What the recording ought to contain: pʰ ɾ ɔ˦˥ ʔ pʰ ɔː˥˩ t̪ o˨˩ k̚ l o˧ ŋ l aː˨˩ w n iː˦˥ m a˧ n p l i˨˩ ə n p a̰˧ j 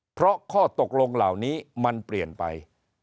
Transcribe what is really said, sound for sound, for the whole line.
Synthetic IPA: pʰ ɾ ɔ˦˥ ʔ kʰ ɔː˥˩ t̪ o˨˩ k̚ l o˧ ŋ l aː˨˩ w n iː˦˥ m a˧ n p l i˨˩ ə n p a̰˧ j